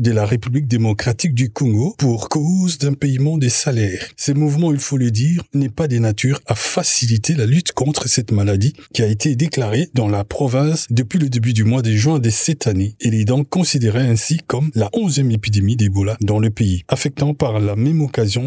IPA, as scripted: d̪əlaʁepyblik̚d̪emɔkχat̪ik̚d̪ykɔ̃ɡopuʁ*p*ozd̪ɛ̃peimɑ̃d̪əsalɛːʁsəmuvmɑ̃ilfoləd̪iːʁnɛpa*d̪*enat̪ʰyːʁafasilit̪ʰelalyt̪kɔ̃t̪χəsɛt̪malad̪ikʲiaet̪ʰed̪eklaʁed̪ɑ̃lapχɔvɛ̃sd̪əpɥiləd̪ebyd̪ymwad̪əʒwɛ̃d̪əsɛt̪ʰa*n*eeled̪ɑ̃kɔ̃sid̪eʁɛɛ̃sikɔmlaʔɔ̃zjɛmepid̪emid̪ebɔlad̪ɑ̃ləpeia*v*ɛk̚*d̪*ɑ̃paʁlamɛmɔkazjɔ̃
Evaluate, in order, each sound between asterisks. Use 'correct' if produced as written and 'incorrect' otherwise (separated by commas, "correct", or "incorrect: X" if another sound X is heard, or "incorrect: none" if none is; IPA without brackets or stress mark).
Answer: incorrect: k, correct, correct, incorrect: f, incorrect: t̪